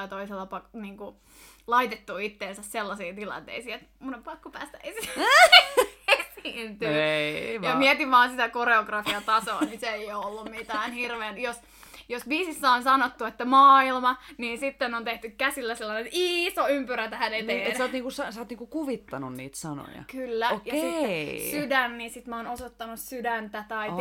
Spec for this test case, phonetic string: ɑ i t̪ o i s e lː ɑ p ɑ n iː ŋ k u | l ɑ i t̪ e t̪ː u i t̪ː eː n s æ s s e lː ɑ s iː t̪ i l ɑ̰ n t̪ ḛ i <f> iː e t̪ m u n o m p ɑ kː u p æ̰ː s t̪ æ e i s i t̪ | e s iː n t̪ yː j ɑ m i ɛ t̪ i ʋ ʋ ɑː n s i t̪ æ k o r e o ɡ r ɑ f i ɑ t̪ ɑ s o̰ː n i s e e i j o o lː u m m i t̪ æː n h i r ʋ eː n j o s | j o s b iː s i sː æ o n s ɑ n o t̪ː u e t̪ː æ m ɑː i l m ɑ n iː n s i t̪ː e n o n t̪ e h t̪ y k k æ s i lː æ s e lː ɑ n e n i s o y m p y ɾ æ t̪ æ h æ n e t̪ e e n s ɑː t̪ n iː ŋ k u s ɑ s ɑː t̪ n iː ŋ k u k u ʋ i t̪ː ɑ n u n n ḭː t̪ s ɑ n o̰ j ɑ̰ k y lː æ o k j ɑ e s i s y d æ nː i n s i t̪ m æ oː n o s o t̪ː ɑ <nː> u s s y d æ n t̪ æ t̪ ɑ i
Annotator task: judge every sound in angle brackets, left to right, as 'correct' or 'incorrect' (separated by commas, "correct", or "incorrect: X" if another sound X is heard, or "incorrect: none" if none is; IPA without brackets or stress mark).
incorrect: s, incorrect: n